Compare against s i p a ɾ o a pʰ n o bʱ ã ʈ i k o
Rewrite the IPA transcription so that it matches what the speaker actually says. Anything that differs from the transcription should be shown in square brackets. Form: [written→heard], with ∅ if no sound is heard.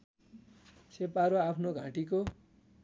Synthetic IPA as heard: s [i→e] p a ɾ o a pʰ n o [bʱ→ɡʱ] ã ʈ i k o

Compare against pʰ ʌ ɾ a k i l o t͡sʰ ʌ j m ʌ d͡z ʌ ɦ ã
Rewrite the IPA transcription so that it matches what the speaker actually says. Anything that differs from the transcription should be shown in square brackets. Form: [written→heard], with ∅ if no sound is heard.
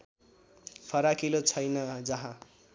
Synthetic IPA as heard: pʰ ʌ ɾ a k i l o t͡sʰ ʌ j [m→n] ʌ d͡z ʌ ɦ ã

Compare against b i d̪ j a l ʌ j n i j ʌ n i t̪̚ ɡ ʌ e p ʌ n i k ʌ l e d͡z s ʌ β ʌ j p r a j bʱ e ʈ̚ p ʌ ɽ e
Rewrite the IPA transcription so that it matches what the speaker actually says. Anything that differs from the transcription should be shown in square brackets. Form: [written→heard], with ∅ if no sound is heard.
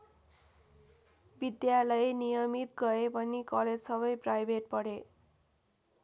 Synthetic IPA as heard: b i d̪ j a l ʌ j n i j ʌ [n→m] i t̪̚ ɡ ʌ e p ʌ n i k ʌ l e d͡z s ʌ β ʌ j p r a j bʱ e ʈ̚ p ʌ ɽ e

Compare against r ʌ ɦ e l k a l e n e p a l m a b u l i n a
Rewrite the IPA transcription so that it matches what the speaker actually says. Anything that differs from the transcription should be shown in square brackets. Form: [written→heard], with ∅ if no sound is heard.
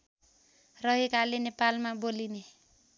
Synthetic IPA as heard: r ʌ ɦ e [l→∅] k a l e n e p a l m a b [u→o] l i n [a→e]

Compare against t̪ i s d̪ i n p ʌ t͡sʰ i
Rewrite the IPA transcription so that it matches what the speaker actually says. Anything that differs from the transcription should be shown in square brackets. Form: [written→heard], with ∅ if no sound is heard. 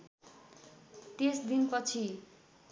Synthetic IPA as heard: t̪ [i→e] s d̪ i n p ʌ t͡sʰ i

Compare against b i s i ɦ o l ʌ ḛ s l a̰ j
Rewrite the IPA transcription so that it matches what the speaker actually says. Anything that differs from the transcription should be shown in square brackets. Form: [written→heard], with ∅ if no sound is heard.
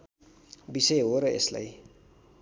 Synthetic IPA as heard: b i s [i→e] ɦ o [l→ɾ] ʌ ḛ s l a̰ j

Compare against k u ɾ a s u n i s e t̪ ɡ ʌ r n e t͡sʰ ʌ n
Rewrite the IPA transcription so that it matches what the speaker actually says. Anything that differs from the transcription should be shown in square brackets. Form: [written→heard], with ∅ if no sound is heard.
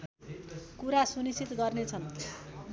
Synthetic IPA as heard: k u ɾ a s u n i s [e→i] t̪ ɡ ʌ r n e t͡sʰ ʌ n

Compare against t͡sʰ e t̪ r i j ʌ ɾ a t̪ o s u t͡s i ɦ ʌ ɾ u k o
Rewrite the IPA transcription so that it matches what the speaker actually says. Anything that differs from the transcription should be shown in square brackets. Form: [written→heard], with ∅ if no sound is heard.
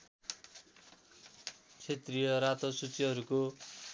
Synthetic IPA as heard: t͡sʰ e t̪ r i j ʌ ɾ a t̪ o s u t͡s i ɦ ʌ ɾ u k o

